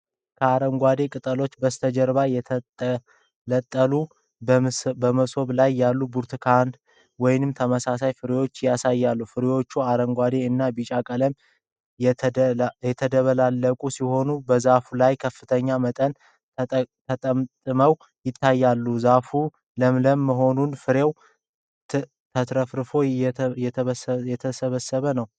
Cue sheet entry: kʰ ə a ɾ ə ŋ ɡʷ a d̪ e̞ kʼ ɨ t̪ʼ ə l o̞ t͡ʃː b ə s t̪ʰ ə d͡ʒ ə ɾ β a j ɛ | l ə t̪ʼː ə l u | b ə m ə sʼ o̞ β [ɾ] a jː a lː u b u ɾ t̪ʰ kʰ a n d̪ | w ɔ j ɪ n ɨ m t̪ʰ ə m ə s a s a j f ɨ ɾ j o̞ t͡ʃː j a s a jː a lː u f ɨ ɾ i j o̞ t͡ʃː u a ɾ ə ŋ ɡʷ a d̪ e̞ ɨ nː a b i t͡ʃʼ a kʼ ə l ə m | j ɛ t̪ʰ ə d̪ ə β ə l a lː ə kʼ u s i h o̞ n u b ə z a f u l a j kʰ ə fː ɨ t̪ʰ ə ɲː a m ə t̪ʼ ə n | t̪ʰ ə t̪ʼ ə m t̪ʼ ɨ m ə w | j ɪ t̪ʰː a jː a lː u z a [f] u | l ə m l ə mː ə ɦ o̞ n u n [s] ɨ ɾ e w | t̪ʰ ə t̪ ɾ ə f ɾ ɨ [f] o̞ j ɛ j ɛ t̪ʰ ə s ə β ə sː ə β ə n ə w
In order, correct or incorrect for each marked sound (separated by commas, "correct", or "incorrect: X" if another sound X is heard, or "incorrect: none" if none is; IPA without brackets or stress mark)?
incorrect: l, correct, incorrect: f, correct